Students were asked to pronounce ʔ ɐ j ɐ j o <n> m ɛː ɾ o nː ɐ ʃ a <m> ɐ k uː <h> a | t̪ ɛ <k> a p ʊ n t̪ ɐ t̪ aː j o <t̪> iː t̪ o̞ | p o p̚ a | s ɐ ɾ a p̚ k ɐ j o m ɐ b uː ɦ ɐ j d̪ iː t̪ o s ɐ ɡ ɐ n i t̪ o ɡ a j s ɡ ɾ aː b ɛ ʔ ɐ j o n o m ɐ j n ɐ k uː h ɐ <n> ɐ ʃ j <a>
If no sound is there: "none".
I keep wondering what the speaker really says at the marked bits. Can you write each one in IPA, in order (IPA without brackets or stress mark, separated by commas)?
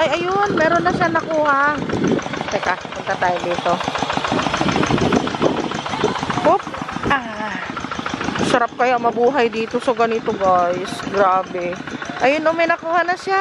n, n, h, k, d̪, n, a